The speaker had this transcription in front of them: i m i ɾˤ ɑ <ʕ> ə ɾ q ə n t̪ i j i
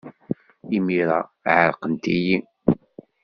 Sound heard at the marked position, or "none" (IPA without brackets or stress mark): ʕ